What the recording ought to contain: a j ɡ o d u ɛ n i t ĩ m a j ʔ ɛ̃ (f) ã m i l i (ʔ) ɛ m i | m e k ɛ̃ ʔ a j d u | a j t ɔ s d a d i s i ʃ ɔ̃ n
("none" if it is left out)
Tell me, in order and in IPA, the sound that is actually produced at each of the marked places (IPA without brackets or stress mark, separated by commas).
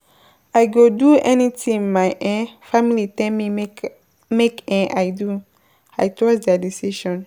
f, t